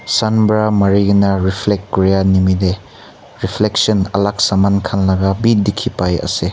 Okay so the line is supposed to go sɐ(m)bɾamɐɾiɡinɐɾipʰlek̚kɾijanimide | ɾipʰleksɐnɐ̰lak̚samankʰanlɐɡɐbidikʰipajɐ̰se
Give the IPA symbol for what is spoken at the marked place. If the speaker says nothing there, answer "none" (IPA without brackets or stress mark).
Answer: n